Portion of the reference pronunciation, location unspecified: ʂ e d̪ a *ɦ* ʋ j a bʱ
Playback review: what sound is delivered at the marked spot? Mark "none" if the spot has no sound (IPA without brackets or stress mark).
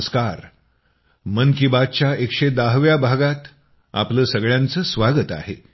ɦ